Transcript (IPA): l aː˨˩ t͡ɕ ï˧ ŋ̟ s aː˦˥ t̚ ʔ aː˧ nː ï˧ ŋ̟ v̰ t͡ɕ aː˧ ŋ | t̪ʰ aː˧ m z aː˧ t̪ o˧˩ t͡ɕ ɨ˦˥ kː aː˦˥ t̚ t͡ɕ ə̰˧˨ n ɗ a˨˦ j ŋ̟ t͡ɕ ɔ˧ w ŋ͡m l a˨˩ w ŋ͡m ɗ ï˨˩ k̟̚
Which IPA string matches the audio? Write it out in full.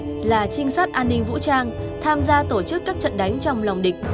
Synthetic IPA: l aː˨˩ t͡ɕ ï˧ ŋ̟ s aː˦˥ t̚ ʔ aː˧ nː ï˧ ŋ̟ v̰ t͡ɕ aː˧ ŋ | t̪ʰ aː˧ m z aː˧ t̪ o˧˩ t͡ɕ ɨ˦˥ kː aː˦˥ k̚ t͡ɕ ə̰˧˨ n ɗ a˨˦ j ŋ̟ t͡ɕ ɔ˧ w ŋ͡m l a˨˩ w ŋ͡m ɗ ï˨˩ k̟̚

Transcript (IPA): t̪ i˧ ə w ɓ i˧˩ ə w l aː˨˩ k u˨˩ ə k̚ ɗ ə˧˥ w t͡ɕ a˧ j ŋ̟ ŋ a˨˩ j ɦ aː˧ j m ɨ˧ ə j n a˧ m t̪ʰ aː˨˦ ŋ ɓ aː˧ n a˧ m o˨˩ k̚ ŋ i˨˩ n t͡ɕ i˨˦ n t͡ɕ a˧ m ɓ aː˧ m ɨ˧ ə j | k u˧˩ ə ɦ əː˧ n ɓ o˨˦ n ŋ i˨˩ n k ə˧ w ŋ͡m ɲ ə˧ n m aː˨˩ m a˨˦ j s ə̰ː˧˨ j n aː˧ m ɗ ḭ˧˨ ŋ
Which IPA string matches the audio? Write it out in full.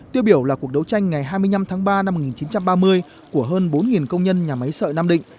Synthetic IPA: t̪ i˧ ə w ɓ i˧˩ ə w l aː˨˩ k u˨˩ ə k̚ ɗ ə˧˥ w t͡ɕ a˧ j ŋ̟ ŋ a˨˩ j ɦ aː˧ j m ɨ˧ ə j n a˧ m t̪ʰ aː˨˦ ŋ ɓ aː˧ n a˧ m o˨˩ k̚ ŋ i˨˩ n t͡ɕ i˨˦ n t͡ɕ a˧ m ɓ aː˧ m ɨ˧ ə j | k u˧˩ ə ɦ əː˧ n ɓ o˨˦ n ŋ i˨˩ n k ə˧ w ŋ͡m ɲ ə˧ n ɲ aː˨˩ m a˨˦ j s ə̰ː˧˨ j n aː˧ m ɗ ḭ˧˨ ŋ

